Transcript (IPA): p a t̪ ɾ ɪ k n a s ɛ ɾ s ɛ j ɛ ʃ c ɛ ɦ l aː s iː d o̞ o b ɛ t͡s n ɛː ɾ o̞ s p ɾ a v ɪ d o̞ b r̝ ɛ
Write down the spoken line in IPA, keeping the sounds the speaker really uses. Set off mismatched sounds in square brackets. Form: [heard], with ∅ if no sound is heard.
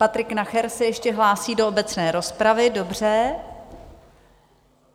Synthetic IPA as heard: p a t̪ ɾ ɪ k n a [x] ɛ ɾ s ɛ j ɛ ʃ c ɛ ɦ l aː s iː d o̞ o b ɛ t͡s n ɛː ɾ o̞ s p ɾ a v ɪ d o̞ b r̝ ɛ